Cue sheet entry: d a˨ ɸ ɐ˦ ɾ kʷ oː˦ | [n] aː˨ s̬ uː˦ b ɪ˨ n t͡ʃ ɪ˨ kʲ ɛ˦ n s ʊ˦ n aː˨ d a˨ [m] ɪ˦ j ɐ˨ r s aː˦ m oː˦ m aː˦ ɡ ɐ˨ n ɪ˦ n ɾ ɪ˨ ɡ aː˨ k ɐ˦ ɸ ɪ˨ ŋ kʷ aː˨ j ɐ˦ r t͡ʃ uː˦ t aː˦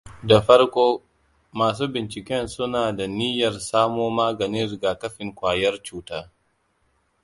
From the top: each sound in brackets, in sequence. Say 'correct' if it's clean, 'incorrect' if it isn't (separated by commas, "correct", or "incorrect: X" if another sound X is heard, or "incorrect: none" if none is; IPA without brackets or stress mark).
incorrect: m, incorrect: n